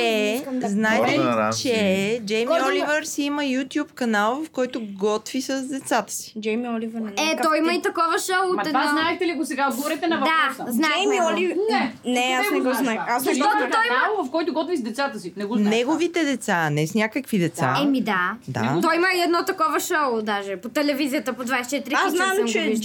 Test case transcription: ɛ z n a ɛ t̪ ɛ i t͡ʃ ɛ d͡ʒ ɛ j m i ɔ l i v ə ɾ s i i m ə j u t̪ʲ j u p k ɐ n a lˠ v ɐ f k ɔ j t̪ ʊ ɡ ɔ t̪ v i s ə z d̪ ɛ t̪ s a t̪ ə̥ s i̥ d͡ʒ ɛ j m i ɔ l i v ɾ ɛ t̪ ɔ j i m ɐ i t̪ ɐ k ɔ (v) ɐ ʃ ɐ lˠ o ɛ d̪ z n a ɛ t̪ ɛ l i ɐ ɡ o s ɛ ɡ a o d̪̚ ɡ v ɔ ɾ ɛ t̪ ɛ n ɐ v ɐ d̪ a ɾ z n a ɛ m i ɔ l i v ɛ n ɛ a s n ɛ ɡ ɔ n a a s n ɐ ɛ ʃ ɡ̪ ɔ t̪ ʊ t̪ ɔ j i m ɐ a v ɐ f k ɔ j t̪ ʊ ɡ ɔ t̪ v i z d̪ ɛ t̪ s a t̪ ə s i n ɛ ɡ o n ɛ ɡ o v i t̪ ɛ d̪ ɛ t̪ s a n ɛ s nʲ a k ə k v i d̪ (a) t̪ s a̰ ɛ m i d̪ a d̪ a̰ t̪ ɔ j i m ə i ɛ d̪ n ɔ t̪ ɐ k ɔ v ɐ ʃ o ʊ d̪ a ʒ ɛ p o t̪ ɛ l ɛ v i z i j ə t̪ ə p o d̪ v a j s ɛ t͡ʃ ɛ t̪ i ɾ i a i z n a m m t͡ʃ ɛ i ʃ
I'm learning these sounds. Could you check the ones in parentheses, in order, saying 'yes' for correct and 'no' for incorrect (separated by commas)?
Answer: yes, no